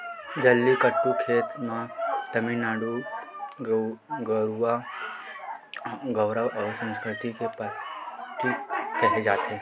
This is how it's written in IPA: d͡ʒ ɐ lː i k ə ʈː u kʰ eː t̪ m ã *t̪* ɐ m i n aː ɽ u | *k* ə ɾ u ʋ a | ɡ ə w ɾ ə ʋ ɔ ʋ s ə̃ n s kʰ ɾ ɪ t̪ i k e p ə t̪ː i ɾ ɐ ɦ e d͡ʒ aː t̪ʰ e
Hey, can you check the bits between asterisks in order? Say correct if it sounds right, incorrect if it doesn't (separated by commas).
correct, incorrect